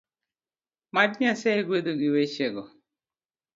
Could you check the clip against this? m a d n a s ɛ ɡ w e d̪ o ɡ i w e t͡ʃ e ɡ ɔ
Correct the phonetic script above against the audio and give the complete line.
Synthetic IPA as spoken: m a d ɲ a s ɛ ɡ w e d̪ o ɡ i w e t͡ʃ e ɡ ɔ